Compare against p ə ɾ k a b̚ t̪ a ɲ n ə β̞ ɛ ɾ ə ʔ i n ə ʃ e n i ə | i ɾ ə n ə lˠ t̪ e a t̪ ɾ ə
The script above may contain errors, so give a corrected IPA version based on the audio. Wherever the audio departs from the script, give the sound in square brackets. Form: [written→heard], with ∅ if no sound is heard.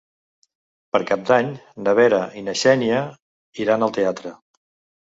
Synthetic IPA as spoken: p ə ɾ k a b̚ [t̪→d̪] a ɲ n ə β̞ ɛ ɾ ə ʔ i n ə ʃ [e→ɛ] n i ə | i ɾ [ə→a] n ə lˠ t̪ e a t̪ ɾ ə